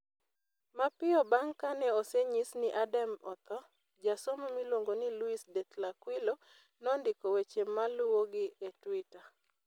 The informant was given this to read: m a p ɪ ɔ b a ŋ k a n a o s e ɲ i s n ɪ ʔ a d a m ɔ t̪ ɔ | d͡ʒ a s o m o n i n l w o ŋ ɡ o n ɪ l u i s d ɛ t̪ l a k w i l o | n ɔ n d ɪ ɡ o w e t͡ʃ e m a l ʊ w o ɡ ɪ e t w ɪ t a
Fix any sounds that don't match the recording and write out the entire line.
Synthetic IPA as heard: m a p ɪ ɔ b a ŋ k a n ɛ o s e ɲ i s n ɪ ʔ a d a m ɔ t̪ ɔ | d͡ʒ a s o m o m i l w o ŋ ɡ o n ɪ l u i s d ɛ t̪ l a k w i l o | n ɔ n d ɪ k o w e t͡ʃ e m a l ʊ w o ɡ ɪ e t w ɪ t a